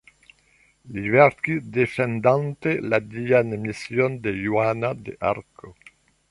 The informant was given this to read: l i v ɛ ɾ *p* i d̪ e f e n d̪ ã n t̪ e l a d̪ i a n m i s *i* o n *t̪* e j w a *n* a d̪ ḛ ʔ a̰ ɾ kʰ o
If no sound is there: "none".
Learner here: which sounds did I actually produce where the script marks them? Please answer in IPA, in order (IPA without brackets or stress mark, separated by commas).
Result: k, j, d̪, n